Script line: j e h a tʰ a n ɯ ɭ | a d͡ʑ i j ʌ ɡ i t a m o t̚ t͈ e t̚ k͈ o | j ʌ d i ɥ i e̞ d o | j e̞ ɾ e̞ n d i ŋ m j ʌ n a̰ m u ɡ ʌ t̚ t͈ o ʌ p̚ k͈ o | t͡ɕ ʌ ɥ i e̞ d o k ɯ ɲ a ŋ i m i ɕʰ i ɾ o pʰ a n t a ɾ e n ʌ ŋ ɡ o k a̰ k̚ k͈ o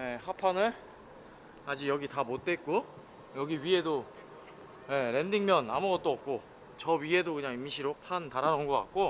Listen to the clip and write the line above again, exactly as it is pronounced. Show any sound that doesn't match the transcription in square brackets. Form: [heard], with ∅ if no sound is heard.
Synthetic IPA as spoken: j e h a [pʰ] a n ɯ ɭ | a d͡ʑ i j ʌ ɡ i t a m o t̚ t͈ e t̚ k͈ o | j ʌ [ɡ] i ɥ i e̞ d o | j e̞ ɾ e̞ n d i ŋ m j ʌ n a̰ m u ɡ ʌ t̚ t͈ o ʌ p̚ k͈ o | t͡ɕ ʌ ɥ i e̞ d o k ɯ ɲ a ŋ i m i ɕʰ i ɾ o pʰ a n t a ɾ [a] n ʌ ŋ ɡ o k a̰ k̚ k͈ o